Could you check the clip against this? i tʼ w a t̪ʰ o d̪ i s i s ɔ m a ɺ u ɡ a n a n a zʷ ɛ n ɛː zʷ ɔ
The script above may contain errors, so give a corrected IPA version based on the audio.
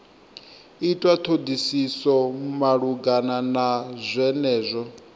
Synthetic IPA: i tʼ w a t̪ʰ o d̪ i s i s ɔ m a ɺ u ɡ a n a n a zʷ ɛ n ɛː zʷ ɔ